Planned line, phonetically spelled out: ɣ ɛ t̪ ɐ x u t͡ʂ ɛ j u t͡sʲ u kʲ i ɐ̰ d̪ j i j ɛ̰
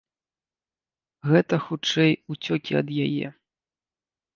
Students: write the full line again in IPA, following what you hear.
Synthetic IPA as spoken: ɣ ɛ t̪ ɐ x u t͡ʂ ɛ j u t͡sʲ ɔ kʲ i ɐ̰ d̪ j a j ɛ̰